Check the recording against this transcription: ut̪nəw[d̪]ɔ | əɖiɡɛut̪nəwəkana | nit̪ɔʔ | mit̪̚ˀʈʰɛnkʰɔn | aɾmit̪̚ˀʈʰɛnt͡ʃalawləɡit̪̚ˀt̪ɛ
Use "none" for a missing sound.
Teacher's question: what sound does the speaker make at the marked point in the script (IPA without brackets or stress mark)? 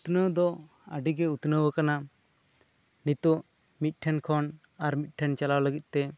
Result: d̪